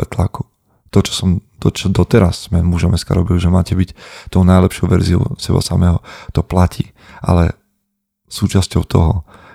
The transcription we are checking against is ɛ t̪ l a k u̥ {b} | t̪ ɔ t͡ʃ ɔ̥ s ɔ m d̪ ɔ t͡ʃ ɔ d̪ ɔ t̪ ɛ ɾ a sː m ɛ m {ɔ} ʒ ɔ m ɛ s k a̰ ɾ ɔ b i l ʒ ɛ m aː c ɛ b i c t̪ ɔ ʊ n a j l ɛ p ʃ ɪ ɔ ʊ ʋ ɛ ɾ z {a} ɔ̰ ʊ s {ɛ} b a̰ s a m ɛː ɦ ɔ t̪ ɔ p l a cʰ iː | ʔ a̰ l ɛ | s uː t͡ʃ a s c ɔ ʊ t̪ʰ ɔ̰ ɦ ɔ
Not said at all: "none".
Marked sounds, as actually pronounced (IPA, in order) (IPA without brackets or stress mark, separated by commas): none, u, i, ɛ